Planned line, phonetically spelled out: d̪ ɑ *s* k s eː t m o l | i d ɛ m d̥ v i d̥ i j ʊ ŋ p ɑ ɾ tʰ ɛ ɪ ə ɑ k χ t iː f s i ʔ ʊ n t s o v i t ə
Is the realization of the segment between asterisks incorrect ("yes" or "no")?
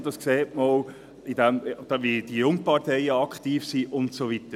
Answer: no